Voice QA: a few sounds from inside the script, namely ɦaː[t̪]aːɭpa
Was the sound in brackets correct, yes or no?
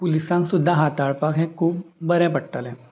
yes